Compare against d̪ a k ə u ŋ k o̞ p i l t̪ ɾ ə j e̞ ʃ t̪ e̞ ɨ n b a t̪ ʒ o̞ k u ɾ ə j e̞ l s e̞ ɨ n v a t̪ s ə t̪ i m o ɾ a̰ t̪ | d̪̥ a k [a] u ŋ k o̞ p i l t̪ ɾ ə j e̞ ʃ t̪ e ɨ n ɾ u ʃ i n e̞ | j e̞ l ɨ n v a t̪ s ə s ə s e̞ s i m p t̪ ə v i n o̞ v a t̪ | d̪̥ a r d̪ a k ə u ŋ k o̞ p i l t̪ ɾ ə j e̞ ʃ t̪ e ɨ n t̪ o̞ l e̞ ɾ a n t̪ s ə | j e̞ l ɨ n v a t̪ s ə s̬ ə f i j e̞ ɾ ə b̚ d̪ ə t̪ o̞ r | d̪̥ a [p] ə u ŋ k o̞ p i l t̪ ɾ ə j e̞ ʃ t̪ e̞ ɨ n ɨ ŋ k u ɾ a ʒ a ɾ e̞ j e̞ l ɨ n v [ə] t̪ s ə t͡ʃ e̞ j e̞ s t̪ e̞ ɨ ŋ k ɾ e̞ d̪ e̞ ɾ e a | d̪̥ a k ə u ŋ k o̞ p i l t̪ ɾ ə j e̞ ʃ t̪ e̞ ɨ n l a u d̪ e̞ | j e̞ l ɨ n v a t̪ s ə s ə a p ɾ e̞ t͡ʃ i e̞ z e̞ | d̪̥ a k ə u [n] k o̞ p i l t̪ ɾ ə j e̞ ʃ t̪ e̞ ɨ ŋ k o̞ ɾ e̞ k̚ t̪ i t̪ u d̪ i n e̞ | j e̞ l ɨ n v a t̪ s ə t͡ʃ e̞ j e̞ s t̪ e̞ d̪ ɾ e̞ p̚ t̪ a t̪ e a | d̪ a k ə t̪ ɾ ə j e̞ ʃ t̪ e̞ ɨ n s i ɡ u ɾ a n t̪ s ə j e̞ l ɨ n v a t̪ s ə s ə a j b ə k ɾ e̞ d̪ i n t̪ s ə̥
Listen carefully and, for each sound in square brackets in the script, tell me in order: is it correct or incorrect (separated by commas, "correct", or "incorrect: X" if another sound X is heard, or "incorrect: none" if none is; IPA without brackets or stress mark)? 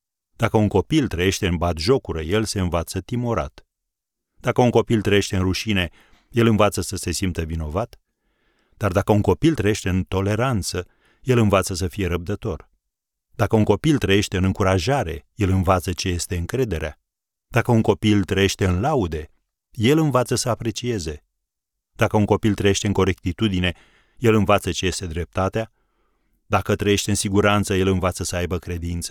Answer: incorrect: ə, incorrect: k, incorrect: a, incorrect: ŋ